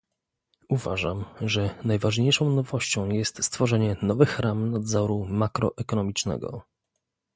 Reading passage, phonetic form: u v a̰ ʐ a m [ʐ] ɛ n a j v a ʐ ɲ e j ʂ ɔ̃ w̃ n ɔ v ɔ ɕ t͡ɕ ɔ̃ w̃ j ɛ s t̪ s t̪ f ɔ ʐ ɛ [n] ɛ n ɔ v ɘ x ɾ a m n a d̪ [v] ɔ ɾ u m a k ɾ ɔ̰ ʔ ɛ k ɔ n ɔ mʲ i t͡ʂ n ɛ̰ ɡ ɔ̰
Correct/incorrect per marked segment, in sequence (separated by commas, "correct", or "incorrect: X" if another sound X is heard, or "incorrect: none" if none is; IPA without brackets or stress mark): correct, incorrect: ɲ, incorrect: z